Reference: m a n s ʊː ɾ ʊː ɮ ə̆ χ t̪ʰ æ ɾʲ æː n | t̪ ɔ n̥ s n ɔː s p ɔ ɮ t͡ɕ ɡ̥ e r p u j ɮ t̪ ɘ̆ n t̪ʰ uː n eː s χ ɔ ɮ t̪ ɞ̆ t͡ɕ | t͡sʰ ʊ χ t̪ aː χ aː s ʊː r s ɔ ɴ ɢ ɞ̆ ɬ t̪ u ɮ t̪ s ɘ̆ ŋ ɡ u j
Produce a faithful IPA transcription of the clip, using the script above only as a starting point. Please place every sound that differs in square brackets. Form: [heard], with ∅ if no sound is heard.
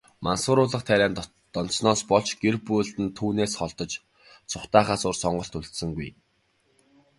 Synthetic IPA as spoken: m a n s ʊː ɾ ʊː ɮ ə̆ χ t̪ʰ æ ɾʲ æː n | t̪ ɔ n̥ s n ɔː s p ɔ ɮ t͡ɕ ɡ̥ e r p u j ɮ t̪ ɘ̆ n t̪ʰ uː n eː s χ ɔ ɮ t̪ ɞ̆ t͡ɕ | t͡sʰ ʊ χ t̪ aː χ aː s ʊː r s ɔ ɴ ɢ ɞ̆ ɬ t̪ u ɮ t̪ s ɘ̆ ŋ ɡ u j